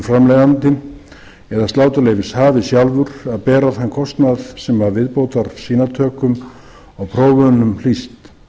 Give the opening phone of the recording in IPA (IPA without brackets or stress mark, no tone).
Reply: f